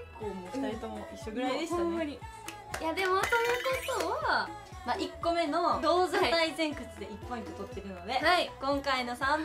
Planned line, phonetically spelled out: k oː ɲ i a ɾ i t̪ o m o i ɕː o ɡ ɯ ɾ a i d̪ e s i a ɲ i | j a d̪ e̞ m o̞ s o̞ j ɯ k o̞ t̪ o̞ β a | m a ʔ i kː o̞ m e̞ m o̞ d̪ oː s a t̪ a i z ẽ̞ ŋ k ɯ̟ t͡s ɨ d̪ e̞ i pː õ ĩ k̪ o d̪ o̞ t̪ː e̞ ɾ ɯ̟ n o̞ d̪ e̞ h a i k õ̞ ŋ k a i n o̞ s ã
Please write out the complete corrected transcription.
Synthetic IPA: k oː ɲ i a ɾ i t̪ o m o i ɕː o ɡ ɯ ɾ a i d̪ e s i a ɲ i | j a d̪ e̞ m o̞ s o̞ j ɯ k o̞ t̪ o̞ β a | m a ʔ i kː o̞ m e̞ n o̞ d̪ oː z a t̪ a i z ẽ̞ ŋ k ɯ̟ t͡s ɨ d̪ e̞ i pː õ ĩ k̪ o t̪ o̞ t̪ː e̞ ɾ ɯ̟ n o̞ d̪ e̞ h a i k õ̞ ŋ k a i n o̞ s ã